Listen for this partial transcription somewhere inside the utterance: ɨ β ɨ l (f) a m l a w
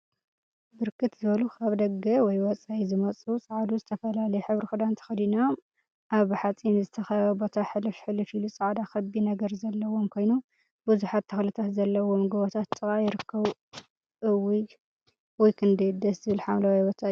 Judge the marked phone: incorrect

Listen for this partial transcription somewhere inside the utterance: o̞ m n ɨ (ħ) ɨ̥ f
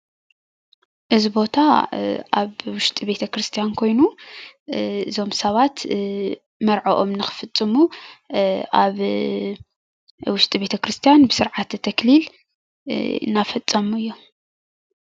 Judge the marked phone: incorrect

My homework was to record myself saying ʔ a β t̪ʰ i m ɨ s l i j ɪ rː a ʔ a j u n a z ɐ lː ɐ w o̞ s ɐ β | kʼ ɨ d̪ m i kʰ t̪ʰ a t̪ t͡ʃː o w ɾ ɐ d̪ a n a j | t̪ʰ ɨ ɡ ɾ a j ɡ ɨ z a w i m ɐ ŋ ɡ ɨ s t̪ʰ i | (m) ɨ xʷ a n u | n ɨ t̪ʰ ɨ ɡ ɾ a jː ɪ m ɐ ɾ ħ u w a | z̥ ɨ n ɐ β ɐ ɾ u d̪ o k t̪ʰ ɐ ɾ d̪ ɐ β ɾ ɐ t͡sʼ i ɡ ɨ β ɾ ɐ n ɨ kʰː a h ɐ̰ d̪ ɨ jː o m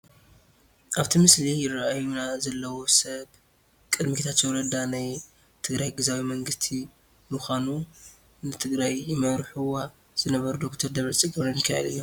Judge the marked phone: correct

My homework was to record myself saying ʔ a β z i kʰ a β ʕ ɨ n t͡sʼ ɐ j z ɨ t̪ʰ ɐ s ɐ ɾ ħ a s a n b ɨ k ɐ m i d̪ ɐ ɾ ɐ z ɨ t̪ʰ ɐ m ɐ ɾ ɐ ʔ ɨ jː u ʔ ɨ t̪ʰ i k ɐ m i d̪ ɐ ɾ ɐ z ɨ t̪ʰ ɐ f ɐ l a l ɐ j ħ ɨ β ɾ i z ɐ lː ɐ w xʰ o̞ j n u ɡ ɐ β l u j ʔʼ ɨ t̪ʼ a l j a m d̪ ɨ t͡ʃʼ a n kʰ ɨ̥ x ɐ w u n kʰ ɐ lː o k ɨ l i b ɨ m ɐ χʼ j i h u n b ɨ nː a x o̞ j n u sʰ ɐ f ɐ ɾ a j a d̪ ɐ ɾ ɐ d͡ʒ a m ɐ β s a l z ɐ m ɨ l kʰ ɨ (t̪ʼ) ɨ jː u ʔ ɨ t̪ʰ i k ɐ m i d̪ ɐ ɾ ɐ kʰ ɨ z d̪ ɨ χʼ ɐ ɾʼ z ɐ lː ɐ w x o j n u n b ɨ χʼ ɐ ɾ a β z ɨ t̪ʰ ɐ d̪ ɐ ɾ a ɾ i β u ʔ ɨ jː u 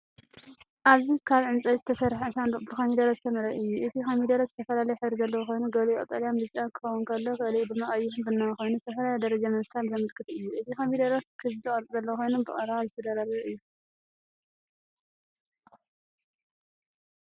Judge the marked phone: incorrect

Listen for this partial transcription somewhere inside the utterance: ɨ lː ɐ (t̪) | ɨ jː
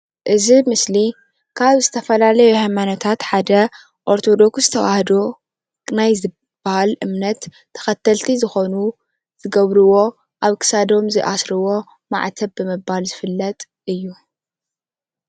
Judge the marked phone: incorrect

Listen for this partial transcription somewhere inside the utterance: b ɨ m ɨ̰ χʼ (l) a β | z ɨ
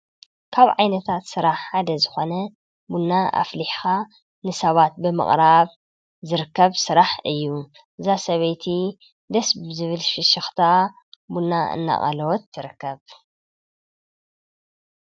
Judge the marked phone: incorrect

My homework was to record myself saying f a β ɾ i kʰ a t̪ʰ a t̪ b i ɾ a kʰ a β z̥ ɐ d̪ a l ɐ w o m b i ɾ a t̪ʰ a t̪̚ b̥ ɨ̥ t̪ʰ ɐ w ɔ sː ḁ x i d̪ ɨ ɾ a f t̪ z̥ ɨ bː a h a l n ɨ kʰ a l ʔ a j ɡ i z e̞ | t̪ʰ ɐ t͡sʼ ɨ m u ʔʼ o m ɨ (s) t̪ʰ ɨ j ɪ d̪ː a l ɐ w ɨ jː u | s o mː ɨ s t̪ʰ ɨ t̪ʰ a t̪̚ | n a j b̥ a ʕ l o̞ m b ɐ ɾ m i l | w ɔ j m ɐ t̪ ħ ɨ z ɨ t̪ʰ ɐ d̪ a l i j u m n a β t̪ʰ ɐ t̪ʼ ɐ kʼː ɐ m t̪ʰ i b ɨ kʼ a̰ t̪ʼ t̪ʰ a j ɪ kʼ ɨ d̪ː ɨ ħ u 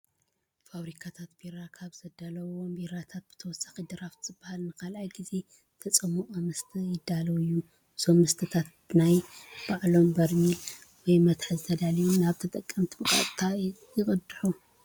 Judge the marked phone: correct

